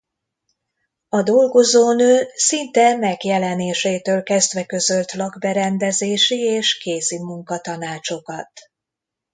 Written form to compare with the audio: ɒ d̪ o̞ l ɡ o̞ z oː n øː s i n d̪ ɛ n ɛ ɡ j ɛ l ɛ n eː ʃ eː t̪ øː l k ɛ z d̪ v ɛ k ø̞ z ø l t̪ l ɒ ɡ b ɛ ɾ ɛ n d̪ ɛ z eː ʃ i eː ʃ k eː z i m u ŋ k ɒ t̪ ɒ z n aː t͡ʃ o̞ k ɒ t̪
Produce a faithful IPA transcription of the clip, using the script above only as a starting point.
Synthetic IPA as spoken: ɒ d̪ o̞ l ɡ o̞ z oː n øː s i n t̪ ɛ m ɛ ɡ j ɛ l ɛ n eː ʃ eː t̪ øː l k ɛ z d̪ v ɛ k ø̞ z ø l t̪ l ɒ ɡ b ɛ ɾ ɛ n d̪ ɛ z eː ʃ i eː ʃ k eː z i m u ŋ k ɒ t̪ ɒ n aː t͡ʃ o̞ k ɒ t̪

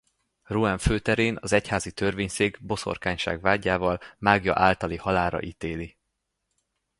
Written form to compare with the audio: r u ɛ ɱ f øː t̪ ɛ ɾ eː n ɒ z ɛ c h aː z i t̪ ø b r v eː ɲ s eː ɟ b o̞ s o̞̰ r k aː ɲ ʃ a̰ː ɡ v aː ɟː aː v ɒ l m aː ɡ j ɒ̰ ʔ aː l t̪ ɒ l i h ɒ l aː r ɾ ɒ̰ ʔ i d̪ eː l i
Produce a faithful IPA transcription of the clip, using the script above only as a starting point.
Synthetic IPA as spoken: r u ɛ ɱ f øː t̪ ɛ ɾ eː n ɒ z ɛ c h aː z i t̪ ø r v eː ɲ s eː ɡ b o̞ s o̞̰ r k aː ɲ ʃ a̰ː ɡ v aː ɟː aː v ɒ l m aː ɡ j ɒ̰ ʔ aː l t̪ ɒ l i h ɒ l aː ɾ ɒ̰ ʔ i t̪ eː l i

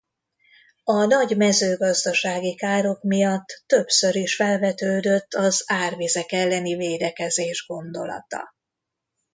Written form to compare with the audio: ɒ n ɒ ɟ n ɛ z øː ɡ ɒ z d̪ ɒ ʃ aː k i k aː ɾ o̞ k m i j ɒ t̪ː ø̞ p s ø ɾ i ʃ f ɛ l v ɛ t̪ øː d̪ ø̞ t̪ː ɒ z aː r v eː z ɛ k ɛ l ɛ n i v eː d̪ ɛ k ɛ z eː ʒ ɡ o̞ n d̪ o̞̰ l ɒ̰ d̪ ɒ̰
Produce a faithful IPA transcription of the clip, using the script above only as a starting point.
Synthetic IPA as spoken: ɒ n ɒ ɟ m ɛ z øː ɡ ɒ z d̪ ɒ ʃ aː ɡ i k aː ɾ o̞ k m i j ɒ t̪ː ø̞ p s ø ɾ i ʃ f ɛ l v ɛ t̪ øː d̪ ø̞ t̪ː ɒ z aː r v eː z ɛ k ɛ lː ɛ n i v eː d̪ ɛ k ɛ z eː ʒ ɡ o̞ n d̪ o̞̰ l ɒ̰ t̪ ɒ̰

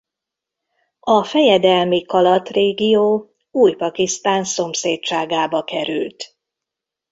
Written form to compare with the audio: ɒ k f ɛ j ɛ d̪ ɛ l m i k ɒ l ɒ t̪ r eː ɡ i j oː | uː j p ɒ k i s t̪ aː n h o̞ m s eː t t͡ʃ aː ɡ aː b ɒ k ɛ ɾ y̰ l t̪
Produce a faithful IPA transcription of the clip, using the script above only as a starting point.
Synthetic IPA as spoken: ɒ f ɛ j ɛ d̪ ɛ l m i k ɒ l ɒ t̪ r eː ɡ i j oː | uː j p ɒ k i s t̪ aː n s o̞ m s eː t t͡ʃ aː ɡ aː b ɒ k ɛ ɾ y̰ l t̪

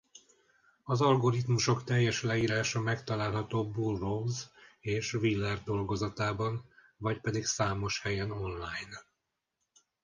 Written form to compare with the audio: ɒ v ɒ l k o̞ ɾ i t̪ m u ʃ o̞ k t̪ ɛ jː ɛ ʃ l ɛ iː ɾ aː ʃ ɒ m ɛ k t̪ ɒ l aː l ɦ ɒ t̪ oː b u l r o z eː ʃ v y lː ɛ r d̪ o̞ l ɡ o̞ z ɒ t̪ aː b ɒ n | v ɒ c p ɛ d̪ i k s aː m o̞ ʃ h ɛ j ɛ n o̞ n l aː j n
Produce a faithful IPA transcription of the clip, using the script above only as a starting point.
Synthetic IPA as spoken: ɒ z ɒ l ɡ o̞ ɾ i t̪ m u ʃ o̞ k t̪ ɛ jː ɛ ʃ l ɛ iː ɾ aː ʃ ɒ m ɛ k t̪ ɒ l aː l ɦ ɒ t̪ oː b u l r o z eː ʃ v i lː ɛ r d̪ o̞ l ɡ o̞ z ɒ t̪ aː b ɒ n | v ɒ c p ɛ d̪ i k s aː m o̞ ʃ h ɛ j ɛ n o̞ n l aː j n

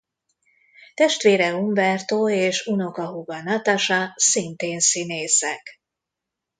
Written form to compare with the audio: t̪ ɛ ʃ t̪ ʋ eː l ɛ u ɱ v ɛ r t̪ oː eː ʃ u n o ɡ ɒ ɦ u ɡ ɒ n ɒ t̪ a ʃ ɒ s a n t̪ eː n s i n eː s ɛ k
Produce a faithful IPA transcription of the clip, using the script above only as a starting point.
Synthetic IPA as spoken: t̪ ɛ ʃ t̪ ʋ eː ɾ ɛ u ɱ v ɛ r t̪ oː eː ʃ u n o k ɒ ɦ u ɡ ɒ n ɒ t̪ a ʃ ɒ s i n t̪ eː n s i n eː s ɛ k

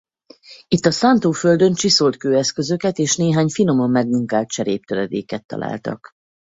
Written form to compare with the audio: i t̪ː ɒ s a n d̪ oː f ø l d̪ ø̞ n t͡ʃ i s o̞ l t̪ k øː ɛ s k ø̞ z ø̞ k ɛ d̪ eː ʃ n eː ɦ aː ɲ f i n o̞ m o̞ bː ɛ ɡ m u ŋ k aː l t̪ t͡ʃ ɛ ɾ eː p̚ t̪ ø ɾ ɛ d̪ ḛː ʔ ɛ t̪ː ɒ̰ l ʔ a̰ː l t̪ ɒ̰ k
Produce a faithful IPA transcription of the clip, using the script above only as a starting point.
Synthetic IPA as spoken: i t̪ː ɒ s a n t̪ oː f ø l d̪ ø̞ n t͡ʃ i s o̞ l t̪ k øː ɛ s k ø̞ z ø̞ k ɛ t̪ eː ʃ n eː ɦ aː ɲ f i n o̞ m o̞ mː ɛ ɡ m u ŋ k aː l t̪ t͡ʃ ɛ ɾ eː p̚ t̪ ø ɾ ɛ d̪ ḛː k ɛ t̪ː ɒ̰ l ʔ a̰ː l t̪ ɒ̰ k

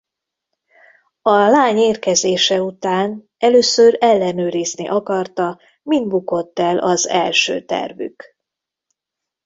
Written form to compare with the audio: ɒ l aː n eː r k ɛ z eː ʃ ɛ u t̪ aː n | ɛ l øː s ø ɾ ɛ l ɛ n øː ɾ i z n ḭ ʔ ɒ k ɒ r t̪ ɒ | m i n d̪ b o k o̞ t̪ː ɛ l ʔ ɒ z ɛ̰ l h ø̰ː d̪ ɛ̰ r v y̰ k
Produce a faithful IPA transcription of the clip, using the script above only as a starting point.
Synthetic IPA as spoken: ɒ l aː ɲ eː r k ɛ z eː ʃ ɛ u t̪ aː n | ɛ l øː s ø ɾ ɛ lː ɛ n øː ɾ i z n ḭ ʔ ɒ k ɒ r t̪ ɒ | m i n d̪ b u k o̞ t̪ː ɛ l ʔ ɒ z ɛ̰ l ʃ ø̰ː t̪ ɛ̰ r v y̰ k

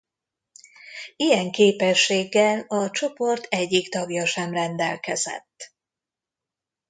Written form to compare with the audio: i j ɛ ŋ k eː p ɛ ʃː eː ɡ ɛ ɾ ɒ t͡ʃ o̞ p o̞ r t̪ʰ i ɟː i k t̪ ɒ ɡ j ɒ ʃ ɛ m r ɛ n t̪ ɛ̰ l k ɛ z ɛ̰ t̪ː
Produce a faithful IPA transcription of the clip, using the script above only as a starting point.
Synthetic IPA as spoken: i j ɛ ŋ k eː p ɛ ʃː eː ɡː ɛ l ɒ t͡ʃ o̞ p o̞ r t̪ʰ ɛ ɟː i k t̪ ɒ ɡ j ɒ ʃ ɛ m r ɛ n d̪ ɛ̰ l k ɛ z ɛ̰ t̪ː

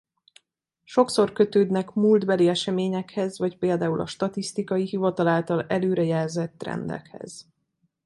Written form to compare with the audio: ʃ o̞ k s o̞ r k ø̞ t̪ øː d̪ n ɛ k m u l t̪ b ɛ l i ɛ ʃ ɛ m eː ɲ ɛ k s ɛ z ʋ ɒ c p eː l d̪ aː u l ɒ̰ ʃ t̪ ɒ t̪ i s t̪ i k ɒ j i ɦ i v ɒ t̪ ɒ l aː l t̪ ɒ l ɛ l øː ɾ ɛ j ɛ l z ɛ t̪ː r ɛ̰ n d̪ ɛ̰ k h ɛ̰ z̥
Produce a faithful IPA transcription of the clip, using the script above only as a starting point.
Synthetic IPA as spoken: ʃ o̞ k s o̞ r k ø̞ t̪ øː d̪ n ɛ k m u l d̪ b ɛ l i ɛ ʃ ɛ m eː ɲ ɛ k h ɛ z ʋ ɒ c p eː l d̪ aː u l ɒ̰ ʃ t̪ ɒ t̪ i s t̪ i k ɒ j i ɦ i v ɒ t̪ ɒ l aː l t̪ ɒ l ɛ l øː ɾ ɛ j ɛ l z ɛ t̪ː r ɛ̰ n d̪ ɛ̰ k h ɛ̰ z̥

